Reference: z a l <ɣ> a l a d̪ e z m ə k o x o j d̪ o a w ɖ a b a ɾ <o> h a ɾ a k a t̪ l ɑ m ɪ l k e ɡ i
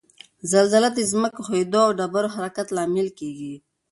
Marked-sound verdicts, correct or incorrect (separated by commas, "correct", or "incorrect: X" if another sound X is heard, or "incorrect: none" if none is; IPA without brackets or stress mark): incorrect: z, correct